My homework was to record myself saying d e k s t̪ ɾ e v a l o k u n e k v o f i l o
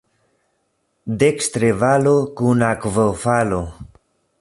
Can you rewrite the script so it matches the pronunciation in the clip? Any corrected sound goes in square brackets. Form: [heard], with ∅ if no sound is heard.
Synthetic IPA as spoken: d e k s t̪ ɾ e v a l o k u n [a] k v o f [a] l o